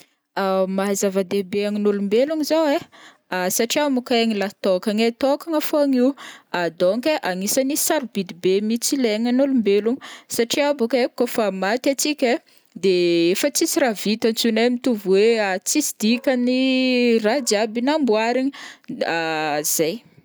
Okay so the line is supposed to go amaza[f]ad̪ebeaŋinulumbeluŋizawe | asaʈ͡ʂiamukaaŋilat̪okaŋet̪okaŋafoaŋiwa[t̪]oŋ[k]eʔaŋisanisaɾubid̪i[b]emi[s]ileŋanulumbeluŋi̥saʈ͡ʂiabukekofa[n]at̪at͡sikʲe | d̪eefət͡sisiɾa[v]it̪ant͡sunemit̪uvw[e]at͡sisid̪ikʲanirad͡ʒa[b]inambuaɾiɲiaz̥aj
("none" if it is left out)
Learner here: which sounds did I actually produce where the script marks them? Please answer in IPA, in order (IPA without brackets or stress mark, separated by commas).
v, d̪, k, b, t͡s, m, v, e, b